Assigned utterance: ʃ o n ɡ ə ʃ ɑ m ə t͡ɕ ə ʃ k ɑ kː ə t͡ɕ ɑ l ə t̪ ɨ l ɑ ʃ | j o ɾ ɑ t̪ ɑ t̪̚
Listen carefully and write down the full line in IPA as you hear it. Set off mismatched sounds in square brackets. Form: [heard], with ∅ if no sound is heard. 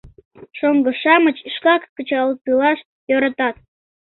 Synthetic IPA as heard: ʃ o [ŋ] ɡ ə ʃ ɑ m ə t͡ɕ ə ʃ k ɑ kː ə t͡ɕ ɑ l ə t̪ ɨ l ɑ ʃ | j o ɾ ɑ t̪ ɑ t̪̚